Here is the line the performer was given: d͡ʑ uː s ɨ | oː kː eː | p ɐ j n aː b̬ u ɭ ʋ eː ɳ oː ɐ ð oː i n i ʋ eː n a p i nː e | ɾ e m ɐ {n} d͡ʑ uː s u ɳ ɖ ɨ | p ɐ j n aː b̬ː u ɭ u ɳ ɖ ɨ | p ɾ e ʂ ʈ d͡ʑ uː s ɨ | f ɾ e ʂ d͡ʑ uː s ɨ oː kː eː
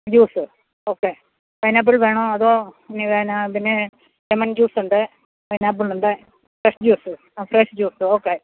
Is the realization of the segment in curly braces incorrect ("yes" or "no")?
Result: no